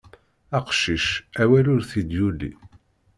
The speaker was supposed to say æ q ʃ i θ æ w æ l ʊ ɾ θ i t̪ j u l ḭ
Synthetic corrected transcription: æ q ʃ i ʃ æ w æ l ʊ ɾ θ i d̪ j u l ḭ

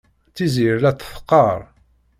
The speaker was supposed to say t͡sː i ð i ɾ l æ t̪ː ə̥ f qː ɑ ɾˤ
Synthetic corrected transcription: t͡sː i z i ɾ l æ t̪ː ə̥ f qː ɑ ɾˤ

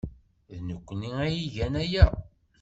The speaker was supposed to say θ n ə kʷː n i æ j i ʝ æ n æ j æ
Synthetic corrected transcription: ð n ə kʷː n i æ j i ʝ æ n æ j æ

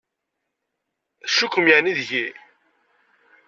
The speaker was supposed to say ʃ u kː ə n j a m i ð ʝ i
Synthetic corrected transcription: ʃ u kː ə m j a n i ð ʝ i

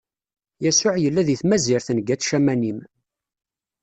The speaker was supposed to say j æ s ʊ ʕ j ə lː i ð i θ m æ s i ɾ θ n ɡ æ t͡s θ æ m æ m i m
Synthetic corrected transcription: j æ s ʊ ʕ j ə lː æ ð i θ m æ z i ɾ θ n ɡ æ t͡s ʃ æ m æ n i m

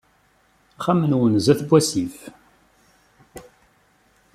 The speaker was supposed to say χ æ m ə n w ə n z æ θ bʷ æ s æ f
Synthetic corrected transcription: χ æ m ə n w ə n z æ θ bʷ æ s i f

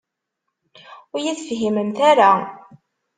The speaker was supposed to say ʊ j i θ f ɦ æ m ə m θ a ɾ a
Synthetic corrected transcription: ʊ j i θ f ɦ i m ə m θ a ɾ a

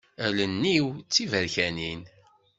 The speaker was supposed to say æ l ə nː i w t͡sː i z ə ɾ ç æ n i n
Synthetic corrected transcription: æ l ə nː i w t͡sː i v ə ɾ ç æ n i n

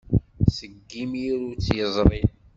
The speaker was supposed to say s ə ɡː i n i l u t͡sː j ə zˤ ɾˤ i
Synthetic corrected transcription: s ə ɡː i m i ɾ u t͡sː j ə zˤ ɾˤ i

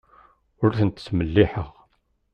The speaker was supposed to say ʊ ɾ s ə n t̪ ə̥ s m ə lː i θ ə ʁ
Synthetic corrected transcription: ʊ ɾ θ ə n t̪ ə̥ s m ə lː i ħ ə ʁ

